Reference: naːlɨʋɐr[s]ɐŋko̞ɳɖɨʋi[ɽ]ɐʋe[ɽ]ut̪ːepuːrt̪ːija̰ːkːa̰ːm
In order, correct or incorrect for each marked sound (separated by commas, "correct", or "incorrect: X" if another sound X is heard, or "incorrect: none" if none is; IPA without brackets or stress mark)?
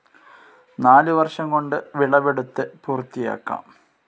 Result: incorrect: ʂ, incorrect: ɭ, correct